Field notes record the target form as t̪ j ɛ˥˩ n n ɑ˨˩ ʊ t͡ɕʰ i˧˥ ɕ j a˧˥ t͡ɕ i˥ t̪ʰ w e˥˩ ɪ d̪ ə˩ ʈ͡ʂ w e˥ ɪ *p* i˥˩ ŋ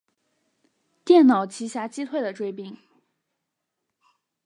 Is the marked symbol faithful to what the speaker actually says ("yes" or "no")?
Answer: yes